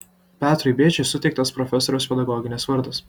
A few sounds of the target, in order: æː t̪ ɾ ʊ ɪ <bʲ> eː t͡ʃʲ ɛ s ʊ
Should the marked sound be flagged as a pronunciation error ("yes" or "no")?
no